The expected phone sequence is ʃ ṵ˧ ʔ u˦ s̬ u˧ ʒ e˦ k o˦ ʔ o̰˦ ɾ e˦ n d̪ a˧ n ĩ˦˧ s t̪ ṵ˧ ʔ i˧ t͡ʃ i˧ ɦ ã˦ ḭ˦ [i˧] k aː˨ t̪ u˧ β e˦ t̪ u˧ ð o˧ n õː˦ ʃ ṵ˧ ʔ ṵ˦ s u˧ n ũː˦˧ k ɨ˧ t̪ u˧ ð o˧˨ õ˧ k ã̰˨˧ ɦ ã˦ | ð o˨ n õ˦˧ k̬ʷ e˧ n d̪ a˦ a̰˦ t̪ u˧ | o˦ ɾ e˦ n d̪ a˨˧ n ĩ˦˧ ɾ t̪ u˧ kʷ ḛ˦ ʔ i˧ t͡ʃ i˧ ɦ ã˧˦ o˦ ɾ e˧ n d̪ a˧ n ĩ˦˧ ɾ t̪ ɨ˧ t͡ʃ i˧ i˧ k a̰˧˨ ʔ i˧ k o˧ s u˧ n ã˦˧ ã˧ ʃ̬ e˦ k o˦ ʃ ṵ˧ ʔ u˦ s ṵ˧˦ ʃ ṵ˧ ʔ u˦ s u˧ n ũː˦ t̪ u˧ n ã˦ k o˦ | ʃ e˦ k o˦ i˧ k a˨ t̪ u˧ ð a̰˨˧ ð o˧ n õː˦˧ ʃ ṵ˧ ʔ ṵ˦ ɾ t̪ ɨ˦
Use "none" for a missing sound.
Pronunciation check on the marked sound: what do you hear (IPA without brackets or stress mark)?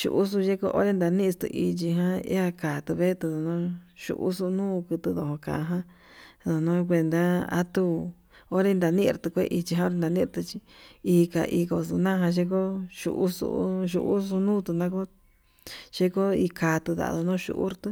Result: a˧